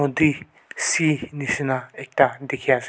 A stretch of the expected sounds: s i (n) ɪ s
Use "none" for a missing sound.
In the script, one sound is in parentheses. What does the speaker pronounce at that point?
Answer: n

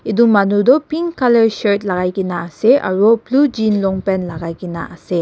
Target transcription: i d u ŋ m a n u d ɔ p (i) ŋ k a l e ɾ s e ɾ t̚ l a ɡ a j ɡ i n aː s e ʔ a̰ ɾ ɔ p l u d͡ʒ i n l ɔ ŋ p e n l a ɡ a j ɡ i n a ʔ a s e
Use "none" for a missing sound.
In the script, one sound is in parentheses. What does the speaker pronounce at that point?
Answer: i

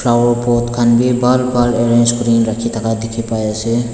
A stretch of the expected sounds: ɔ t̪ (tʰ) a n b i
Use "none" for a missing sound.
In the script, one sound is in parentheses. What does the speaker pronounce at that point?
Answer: kʰ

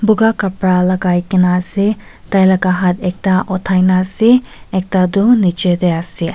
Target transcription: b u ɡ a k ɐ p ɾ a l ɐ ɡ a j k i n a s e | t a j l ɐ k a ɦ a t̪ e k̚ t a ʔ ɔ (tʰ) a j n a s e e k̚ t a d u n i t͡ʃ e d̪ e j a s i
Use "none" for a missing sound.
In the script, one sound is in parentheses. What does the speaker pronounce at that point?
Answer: tʰ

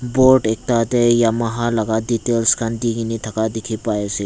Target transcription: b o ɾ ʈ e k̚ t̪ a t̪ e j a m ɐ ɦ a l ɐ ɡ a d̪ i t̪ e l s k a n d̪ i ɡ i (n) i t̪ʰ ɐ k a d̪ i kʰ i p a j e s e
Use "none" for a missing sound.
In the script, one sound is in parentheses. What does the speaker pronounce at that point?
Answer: n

